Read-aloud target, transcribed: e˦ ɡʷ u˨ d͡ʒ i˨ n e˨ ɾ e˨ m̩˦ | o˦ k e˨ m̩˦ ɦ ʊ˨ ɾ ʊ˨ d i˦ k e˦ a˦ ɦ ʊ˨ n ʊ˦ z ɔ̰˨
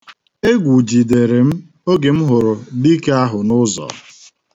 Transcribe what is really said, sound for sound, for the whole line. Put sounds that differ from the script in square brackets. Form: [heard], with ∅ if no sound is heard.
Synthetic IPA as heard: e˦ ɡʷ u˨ d͡ʒ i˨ [d] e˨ ɾ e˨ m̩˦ | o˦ [ɡ] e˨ m̩˦ ɦ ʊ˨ ɾ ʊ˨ d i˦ k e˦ a˦ ɦ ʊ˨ n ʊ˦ z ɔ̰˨